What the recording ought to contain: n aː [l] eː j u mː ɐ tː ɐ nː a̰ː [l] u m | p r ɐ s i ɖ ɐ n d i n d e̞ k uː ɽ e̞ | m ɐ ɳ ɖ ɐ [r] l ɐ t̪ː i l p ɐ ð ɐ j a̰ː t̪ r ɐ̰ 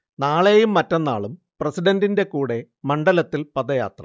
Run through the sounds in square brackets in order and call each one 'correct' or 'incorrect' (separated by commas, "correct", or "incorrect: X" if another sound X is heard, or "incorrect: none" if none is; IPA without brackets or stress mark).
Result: incorrect: ɭ, incorrect: ɭ, incorrect: none